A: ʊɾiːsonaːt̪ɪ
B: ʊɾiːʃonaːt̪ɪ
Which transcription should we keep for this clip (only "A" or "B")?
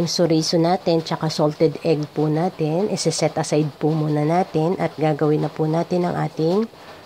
A